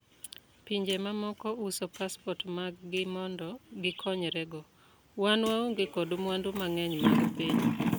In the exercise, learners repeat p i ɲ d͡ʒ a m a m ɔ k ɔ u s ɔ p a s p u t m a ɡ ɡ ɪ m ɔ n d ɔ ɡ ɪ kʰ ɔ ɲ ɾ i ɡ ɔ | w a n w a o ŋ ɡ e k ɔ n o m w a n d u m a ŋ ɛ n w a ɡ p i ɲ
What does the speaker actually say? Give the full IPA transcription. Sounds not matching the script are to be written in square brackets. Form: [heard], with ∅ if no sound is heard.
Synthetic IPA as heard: p i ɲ d͡ʒ [e] m a m ɔ k ɔ u s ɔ p a s p [ɔ] t m a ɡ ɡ ɪ m ɔ n d ɔ ɡ ɪ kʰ ɔ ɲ ɾ [ɛ] ɡ ɔ | w a n w a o ŋ ɡ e k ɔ [d] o m w a n d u m a ŋ ɛ [ɲ] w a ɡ p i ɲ